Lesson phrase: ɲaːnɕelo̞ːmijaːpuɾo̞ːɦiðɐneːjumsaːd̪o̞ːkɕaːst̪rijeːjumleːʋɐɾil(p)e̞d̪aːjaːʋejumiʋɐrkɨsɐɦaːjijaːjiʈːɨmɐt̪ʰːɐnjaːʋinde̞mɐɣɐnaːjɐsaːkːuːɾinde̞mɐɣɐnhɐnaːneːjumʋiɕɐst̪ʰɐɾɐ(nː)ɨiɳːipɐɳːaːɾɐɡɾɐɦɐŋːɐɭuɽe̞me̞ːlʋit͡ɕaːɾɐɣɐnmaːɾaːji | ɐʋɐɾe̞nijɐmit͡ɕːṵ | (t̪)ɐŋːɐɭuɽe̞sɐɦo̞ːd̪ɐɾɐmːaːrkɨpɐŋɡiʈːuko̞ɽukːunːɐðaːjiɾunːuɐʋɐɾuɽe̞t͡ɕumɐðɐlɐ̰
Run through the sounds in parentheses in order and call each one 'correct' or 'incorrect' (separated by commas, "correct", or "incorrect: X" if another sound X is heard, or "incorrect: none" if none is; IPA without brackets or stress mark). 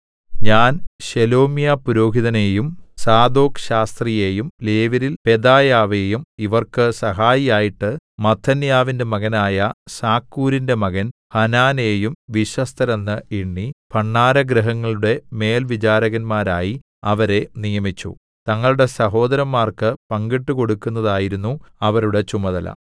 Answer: correct, correct, correct